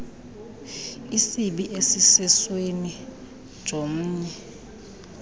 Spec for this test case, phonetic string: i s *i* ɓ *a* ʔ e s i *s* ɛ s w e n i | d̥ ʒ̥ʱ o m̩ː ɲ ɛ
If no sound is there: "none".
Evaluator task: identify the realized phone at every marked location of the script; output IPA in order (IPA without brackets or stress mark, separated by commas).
i, i, s